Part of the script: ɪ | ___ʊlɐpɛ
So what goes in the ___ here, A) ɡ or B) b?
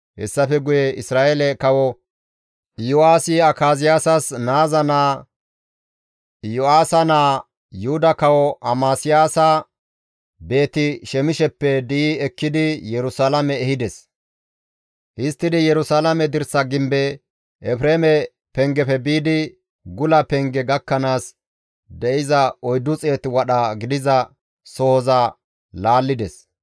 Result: A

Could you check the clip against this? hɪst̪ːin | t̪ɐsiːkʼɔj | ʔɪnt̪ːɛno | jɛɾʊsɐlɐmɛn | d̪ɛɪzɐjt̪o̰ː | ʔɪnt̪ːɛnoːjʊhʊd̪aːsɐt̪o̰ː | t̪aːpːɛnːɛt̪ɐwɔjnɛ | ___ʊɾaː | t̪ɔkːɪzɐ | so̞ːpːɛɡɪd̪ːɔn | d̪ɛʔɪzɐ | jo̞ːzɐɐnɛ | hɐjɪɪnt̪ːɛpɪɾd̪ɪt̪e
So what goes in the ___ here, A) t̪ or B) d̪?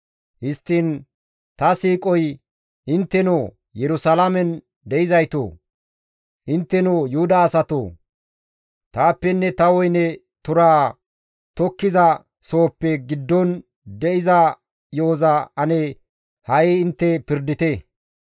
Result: A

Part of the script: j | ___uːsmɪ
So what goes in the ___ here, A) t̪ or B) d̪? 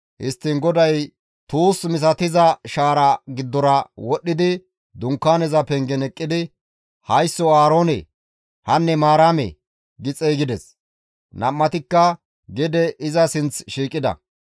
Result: A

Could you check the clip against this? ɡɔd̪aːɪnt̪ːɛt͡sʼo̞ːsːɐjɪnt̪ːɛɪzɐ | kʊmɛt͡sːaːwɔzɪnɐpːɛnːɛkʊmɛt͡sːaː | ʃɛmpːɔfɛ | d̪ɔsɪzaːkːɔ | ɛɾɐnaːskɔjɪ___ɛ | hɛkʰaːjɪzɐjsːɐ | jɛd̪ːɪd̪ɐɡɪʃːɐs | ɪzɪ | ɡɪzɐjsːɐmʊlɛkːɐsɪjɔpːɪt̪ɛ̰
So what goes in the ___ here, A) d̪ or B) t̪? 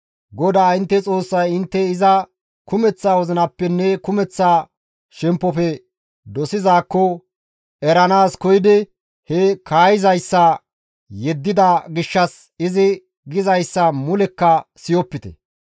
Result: A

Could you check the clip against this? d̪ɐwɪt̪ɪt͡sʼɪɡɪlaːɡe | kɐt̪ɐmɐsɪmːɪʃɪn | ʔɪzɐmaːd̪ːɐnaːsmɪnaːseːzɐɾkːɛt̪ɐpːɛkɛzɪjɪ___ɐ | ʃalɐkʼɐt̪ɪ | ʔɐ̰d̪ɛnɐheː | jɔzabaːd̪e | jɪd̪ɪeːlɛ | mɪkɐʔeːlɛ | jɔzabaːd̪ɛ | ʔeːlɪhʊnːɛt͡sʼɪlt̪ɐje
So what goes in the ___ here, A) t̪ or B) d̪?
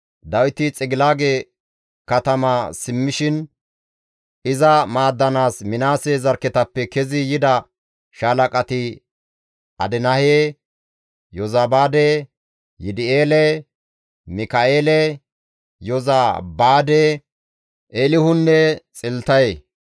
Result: B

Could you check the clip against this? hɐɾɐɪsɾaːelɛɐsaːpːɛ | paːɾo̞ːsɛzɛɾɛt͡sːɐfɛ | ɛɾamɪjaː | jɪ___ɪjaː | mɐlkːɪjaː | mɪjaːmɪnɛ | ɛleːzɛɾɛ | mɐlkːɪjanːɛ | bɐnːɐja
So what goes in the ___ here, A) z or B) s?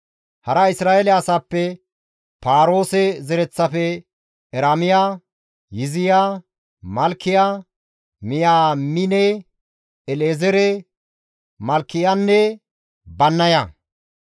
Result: A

